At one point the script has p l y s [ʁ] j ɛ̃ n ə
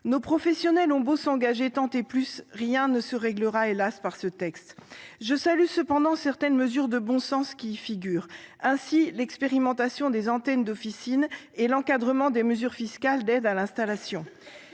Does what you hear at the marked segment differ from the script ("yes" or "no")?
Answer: no